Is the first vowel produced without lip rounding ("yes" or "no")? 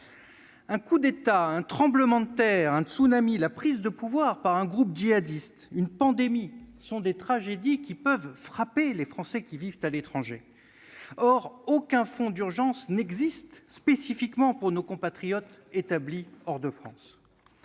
yes